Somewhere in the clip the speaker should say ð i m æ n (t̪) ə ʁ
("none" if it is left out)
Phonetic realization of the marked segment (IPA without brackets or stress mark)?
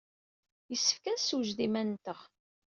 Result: t̪